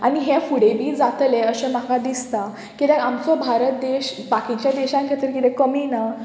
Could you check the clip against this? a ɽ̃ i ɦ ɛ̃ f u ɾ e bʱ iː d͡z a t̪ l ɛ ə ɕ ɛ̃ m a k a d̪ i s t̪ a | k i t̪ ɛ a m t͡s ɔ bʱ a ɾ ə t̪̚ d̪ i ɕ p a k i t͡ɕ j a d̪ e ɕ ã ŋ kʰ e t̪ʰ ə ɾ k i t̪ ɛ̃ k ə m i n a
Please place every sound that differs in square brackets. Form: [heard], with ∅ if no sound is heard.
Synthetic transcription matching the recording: a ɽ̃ i ɦ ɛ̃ f u [ɽ] e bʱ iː d͡z a t̪ l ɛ ə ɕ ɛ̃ m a k a d̪ i s t̪ a | k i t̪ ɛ a m t͡s ɔ bʱ a ɾ ə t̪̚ d̪ [e] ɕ [b] a k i t͡ɕ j a d̪ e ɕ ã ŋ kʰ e [t̪] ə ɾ k i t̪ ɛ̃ k ə m i n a